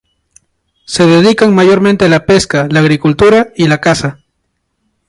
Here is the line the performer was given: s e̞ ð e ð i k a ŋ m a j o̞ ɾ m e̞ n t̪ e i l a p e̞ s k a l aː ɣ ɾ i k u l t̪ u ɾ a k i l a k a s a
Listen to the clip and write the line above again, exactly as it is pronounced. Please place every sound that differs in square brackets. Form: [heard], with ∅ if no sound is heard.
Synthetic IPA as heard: s e̞ ð e ð i k a ŋ m a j o̞ ɾ m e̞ n t̪ e [a] l a p e̞ s k a l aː ɣ ɾ i k u l t̪ u ɾ a [∅] i l a k a s a